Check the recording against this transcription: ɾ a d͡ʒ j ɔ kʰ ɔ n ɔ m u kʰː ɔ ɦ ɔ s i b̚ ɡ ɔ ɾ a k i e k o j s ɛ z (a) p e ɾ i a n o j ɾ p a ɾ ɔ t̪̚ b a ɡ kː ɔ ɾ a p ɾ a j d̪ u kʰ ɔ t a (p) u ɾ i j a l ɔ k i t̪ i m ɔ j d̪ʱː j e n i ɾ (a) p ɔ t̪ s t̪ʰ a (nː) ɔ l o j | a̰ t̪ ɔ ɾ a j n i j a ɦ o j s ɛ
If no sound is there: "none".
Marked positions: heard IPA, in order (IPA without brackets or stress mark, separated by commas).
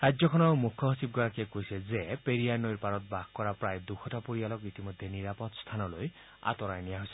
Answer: e, p, a, n